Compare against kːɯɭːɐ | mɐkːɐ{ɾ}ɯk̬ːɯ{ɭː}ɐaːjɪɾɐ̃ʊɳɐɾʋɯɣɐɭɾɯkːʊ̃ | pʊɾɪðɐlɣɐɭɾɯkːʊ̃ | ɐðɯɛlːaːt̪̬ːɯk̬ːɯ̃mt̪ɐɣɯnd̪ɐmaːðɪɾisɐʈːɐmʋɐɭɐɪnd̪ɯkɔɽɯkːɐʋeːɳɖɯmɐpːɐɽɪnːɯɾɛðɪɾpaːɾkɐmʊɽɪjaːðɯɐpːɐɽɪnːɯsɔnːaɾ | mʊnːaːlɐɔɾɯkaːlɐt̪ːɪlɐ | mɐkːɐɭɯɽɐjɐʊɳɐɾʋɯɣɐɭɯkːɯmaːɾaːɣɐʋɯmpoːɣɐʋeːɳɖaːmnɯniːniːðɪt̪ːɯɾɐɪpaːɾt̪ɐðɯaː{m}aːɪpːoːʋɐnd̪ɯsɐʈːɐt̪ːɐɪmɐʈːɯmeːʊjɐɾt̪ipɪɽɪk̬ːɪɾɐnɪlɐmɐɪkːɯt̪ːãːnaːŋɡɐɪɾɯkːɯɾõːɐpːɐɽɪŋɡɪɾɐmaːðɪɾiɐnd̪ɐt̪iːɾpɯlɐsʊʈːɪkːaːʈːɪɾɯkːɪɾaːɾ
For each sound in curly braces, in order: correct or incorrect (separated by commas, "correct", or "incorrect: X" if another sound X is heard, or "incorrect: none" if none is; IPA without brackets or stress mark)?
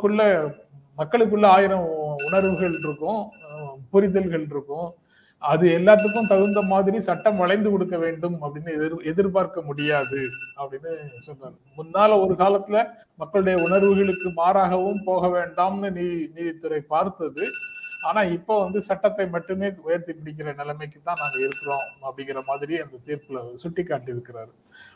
incorrect: ɭ, correct, incorrect: n